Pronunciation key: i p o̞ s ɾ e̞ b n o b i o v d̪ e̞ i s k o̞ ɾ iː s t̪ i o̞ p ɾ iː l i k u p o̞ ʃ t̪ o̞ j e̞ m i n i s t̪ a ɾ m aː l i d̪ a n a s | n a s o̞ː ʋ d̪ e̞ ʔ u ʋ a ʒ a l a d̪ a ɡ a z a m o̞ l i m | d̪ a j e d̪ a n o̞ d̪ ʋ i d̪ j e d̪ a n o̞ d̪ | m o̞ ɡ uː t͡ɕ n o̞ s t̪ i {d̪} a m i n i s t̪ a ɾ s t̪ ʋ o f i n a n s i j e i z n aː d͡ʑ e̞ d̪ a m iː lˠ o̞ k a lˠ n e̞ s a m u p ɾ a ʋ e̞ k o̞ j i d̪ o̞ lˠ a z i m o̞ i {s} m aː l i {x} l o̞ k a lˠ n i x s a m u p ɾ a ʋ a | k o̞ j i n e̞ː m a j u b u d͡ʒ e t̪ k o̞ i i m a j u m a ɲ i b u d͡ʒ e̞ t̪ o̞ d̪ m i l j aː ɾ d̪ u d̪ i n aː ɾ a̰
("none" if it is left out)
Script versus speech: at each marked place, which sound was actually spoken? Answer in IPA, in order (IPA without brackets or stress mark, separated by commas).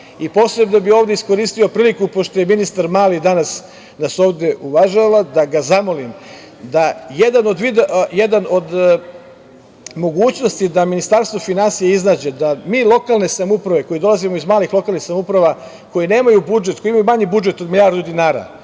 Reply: d̪, z, x